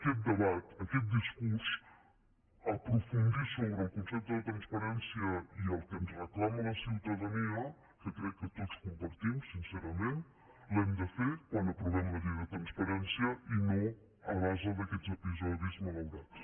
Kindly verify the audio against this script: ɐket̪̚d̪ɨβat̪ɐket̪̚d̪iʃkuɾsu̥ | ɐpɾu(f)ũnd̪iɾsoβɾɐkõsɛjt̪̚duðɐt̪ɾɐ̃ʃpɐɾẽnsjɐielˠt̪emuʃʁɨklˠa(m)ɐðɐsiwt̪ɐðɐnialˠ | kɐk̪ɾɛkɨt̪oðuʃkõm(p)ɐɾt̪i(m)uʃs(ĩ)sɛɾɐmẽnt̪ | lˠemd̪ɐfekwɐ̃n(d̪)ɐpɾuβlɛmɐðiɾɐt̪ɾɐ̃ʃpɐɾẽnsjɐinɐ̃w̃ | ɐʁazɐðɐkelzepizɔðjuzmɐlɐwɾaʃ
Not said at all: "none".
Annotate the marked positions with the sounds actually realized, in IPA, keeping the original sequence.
f, m, p, m, ĩ, d̪

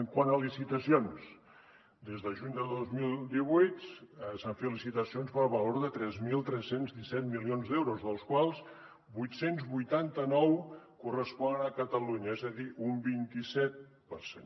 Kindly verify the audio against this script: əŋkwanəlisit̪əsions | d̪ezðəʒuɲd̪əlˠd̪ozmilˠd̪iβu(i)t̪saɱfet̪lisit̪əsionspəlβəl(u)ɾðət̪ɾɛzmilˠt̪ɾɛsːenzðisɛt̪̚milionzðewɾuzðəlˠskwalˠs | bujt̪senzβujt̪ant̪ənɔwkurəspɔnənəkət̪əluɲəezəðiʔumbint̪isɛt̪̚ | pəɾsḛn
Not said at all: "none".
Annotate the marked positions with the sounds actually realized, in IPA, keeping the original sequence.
j, o

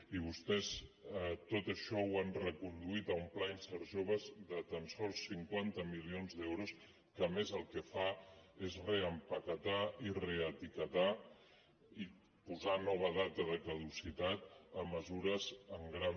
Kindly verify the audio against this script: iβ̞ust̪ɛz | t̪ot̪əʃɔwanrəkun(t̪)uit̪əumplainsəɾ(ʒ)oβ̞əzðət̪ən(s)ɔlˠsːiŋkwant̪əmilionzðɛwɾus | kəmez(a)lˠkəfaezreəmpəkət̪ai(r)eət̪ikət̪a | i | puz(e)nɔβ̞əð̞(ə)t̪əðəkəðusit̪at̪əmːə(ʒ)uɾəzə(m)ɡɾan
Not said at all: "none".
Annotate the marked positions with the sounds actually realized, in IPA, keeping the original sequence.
d̪, ʒ, s, ə, r, a, a, z, ŋ

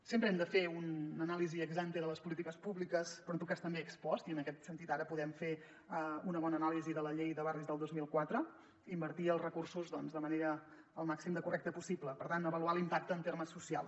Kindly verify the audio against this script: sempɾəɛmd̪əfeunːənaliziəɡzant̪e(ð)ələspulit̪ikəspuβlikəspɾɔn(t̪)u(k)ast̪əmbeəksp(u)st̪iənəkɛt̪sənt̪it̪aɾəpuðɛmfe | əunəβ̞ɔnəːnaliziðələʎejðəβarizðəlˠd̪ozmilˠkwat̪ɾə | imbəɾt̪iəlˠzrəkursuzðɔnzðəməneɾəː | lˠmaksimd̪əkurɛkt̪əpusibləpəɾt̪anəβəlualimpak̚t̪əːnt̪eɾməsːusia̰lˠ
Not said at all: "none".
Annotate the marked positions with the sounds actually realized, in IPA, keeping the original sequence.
ð, t̪, k, ɔ

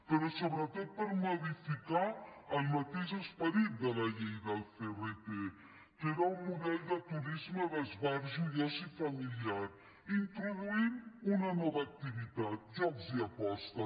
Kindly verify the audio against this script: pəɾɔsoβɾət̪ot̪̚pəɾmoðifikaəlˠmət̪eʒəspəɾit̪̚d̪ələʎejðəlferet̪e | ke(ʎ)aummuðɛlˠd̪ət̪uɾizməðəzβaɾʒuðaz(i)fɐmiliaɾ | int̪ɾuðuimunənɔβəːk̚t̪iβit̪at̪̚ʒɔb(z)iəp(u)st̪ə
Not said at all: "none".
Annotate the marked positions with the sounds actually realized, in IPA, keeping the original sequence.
ɾ, i, z, ɔ

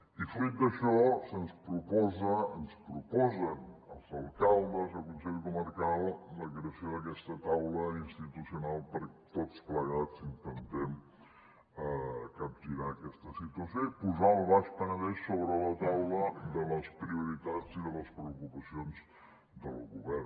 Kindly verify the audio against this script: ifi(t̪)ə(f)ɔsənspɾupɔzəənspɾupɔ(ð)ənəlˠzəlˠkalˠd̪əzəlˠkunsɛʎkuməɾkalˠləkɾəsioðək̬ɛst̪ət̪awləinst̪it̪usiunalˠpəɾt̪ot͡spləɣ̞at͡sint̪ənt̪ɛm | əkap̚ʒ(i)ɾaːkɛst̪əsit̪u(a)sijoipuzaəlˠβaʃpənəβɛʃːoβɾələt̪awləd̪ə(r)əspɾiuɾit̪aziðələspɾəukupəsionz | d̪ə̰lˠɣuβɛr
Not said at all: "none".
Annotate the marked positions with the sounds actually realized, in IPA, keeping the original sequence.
d̪, ʃ, z, i, ə, l

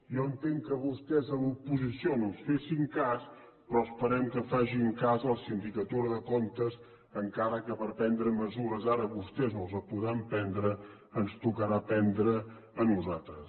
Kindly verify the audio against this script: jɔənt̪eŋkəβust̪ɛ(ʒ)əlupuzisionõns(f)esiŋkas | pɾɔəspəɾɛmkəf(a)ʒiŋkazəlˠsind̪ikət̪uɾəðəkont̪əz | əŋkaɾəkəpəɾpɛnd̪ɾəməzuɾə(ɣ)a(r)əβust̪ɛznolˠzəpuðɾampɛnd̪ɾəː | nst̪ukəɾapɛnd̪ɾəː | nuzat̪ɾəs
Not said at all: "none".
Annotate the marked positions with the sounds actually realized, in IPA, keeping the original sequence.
z, f, a, z, ɾ

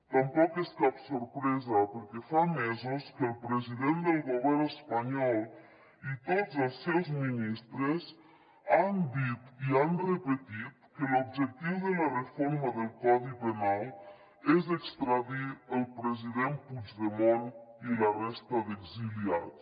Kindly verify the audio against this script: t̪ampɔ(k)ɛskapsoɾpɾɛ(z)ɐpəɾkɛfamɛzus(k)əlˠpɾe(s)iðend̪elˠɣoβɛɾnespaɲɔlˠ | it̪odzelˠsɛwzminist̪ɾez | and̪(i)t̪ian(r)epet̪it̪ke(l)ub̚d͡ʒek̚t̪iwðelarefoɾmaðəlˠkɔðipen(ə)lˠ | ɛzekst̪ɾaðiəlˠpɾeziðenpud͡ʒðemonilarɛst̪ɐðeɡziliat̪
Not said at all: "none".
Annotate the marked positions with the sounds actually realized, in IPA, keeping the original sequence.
k, z, k, z, i, r, l, a

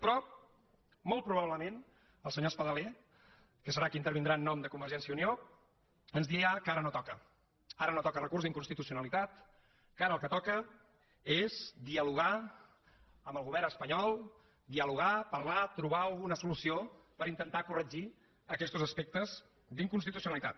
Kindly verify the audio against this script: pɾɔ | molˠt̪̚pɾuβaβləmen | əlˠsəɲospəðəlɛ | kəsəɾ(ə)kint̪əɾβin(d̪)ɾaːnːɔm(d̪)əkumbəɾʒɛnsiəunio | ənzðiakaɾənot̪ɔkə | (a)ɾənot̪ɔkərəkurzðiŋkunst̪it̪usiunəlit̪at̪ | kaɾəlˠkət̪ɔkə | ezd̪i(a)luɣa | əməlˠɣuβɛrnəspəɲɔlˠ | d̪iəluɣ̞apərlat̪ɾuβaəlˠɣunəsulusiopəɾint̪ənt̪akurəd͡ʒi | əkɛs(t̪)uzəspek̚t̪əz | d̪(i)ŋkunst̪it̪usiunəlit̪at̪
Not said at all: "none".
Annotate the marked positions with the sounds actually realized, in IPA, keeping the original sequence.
a, d̪, d̪, a, ə, t̪, i

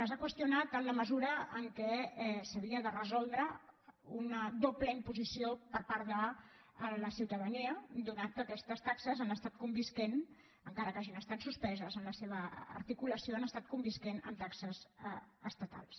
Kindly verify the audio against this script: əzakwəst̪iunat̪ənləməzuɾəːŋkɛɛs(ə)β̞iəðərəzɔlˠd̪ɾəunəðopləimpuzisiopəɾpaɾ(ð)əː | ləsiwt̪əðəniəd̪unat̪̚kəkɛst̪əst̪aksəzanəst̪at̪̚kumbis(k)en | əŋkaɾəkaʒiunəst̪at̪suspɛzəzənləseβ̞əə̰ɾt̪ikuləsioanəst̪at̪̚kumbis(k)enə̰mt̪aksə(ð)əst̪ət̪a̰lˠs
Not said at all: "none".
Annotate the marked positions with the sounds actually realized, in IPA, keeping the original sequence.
ə, ð, k, k, z

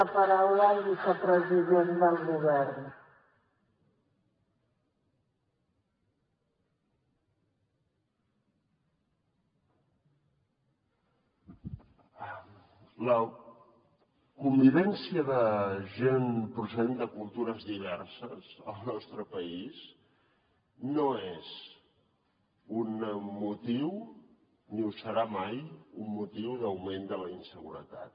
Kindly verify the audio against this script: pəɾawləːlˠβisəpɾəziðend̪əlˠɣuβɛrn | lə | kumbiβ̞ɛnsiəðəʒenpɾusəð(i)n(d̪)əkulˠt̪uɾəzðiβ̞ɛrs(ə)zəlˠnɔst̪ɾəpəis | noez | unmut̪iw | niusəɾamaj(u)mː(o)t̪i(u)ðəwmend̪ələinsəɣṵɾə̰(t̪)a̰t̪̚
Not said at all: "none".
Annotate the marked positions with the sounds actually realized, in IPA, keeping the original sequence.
e, d̪, ə, u, u, w, t̪

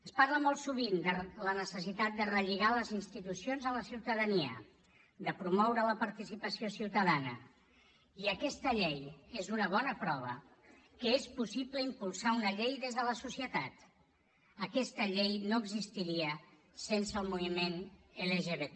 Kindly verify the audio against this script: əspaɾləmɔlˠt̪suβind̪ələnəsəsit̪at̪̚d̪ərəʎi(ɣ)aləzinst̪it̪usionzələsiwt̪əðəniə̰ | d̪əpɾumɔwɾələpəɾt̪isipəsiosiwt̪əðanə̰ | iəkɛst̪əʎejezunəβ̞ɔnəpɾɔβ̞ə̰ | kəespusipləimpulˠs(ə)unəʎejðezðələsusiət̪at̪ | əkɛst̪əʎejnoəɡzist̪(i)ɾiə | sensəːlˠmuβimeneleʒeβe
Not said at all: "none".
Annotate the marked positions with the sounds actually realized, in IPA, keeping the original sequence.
ɣ, a, i

